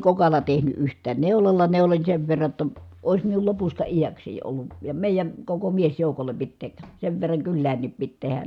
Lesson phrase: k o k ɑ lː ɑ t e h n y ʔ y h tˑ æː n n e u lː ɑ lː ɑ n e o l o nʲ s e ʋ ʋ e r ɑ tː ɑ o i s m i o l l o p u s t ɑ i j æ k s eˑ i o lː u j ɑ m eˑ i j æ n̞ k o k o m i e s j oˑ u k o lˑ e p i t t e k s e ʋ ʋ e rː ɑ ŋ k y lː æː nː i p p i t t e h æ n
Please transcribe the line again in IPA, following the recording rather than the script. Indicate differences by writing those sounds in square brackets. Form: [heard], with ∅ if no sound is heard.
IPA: k o k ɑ lː ɑ t e h n y ʔ y h tˑ æː n n e u [l] ɑ lː ɑ n e [u] l o nʲ s e ʋ ʋ e [rː] ɑ tː ɑ o i s m i [u] l l o p u s t ɑ i j æ k s eˑ i o lː u j ɑ m eˑ i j æ n̞ k o k o m i e s j oˑ u k o lˑ e p i t t e k s e ʋ ʋ e rː ɑ ŋ k y lː æː nː i p p i t t e h æ n